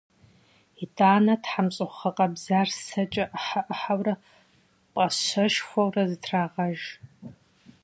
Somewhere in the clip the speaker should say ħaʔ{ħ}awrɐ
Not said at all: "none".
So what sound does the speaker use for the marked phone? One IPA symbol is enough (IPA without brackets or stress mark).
ħ